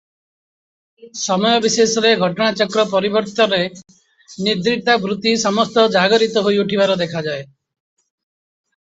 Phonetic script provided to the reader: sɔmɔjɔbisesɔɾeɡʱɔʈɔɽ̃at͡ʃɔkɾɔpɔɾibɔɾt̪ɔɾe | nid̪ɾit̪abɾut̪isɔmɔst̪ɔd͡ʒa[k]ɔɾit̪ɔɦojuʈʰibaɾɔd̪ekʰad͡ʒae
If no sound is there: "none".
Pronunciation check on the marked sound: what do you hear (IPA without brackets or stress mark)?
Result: ɡ